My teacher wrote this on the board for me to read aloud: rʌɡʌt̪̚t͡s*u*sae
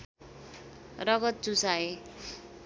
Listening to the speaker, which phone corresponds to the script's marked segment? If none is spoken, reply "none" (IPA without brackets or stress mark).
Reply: u